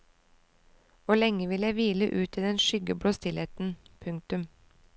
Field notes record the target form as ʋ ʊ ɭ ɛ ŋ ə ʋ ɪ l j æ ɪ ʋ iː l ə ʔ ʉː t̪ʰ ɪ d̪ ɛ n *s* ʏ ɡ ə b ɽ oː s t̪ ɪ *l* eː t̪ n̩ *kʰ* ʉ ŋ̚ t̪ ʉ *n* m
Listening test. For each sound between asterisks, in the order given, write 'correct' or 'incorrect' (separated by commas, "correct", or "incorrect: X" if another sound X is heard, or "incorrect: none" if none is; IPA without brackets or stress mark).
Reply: incorrect: ʃ, correct, incorrect: pʰ, incorrect: none